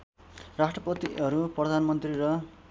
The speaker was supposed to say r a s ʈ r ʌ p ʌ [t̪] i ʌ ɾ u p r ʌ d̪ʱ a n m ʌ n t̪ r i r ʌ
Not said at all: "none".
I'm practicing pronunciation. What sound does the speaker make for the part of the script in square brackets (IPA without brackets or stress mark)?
t̪